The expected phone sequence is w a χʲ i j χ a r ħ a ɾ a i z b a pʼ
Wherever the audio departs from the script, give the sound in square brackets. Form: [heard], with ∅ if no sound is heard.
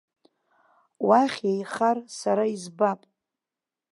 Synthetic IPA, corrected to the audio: w a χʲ [e] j χ a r [s] a ɾ a i z b a pʼ